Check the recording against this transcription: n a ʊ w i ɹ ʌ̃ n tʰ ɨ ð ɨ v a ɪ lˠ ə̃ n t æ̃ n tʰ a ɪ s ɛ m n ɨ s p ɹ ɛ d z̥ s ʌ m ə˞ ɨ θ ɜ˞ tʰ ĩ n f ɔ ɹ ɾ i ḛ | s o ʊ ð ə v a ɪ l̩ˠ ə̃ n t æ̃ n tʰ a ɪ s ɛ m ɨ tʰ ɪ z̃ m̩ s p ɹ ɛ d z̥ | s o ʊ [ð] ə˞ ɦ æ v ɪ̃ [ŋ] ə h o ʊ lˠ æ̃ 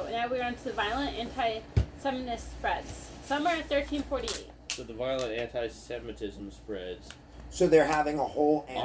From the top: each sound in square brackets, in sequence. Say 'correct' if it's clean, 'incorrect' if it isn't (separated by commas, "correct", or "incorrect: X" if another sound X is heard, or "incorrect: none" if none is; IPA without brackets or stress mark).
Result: correct, correct